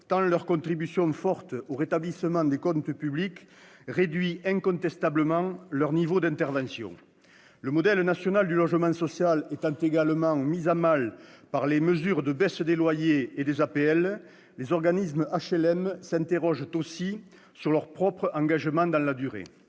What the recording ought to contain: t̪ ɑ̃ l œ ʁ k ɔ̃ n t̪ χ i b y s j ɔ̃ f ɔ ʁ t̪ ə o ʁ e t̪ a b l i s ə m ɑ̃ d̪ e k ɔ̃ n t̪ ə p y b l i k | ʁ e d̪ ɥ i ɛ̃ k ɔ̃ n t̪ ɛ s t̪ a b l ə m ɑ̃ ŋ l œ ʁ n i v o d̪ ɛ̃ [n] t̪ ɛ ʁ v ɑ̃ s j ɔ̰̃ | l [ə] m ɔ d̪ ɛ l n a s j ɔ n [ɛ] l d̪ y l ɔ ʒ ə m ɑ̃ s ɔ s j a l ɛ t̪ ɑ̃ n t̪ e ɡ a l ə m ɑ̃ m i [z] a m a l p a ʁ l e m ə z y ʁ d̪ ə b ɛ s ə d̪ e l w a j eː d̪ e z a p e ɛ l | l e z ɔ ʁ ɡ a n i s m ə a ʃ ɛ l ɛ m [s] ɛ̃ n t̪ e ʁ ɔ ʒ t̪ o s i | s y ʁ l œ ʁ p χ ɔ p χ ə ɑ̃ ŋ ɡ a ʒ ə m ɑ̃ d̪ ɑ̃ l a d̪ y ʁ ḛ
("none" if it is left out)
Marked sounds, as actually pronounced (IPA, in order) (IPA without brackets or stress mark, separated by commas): n, ə, a, z, s